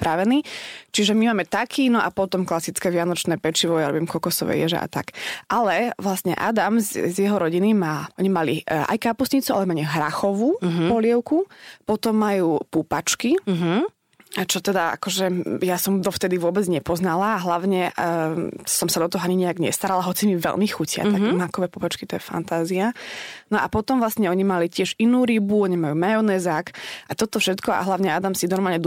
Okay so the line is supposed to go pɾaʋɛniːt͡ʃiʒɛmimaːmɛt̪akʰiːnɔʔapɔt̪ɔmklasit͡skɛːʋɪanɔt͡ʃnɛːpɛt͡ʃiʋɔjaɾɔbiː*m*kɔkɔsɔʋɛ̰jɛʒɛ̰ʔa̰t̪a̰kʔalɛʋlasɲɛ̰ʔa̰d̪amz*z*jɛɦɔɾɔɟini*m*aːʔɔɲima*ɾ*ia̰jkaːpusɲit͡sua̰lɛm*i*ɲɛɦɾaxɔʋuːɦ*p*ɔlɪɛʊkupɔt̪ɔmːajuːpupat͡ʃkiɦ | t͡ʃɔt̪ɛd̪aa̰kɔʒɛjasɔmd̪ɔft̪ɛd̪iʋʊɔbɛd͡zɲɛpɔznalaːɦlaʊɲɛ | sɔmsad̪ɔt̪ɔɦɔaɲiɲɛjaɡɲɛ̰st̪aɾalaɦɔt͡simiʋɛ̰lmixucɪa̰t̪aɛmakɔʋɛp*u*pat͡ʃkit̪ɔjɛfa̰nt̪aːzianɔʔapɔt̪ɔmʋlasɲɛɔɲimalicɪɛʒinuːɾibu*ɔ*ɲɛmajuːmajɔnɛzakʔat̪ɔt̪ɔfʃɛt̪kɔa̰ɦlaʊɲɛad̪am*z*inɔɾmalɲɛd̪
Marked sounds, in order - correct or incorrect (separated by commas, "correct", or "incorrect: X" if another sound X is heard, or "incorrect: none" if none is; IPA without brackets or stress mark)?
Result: correct, correct, correct, incorrect: l, incorrect: a, correct, correct, correct, incorrect: s